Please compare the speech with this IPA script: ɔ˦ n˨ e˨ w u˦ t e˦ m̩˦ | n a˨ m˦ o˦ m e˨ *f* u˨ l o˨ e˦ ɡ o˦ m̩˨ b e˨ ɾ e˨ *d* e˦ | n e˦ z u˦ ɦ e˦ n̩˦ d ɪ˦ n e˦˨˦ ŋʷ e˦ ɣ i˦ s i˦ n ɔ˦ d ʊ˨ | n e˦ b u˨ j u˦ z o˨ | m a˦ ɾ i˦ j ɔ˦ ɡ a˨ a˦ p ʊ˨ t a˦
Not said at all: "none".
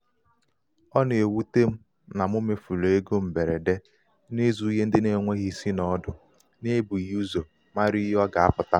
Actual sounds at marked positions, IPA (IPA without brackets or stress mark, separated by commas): f, d